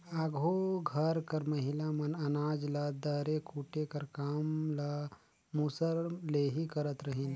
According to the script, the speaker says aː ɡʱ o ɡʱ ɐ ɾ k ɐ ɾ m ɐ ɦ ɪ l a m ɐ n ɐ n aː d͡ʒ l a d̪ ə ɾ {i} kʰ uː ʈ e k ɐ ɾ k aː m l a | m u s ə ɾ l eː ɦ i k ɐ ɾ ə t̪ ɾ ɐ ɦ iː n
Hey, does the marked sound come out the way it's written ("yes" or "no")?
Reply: no